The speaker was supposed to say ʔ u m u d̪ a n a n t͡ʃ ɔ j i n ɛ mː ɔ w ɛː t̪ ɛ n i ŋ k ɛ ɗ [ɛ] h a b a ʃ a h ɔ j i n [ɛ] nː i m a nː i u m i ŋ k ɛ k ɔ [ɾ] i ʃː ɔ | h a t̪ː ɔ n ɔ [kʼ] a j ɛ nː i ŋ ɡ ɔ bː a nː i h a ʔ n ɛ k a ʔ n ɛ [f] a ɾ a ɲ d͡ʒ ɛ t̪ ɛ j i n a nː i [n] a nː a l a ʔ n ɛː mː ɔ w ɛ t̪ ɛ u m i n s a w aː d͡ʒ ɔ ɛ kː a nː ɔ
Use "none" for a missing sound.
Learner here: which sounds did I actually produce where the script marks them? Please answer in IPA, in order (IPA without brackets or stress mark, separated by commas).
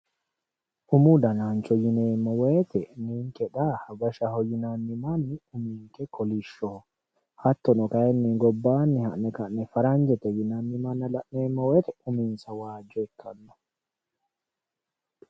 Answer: a, a, l, k, f, m